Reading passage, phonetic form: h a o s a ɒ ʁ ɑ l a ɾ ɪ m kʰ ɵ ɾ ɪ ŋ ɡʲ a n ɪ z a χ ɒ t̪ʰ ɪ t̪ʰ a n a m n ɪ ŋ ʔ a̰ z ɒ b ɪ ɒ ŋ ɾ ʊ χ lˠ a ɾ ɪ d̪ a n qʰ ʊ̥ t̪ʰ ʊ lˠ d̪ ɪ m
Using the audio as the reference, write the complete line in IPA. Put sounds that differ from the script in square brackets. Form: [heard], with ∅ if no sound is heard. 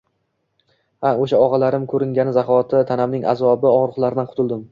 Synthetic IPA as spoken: h a o [ʃ] a ɒ ʁ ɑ l a ɾ ɪ m kʰ ɵ ɾ ɪ ŋ ɡʲ a n ɪ z a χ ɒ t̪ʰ ɪ t̪ʰ a n a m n ɪ ŋ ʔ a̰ z ɒ b ɪ ɒ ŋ ɾ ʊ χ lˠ a ɾ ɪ d̪ a n qʰ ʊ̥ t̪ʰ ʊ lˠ d̪ ɪ m